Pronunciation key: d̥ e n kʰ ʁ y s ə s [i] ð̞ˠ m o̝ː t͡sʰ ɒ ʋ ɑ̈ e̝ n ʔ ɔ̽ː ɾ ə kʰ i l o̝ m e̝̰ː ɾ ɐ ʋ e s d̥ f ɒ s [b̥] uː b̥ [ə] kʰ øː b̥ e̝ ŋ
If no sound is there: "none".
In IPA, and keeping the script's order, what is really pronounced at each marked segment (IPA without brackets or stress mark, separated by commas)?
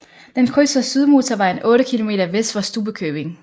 y, d̥, ə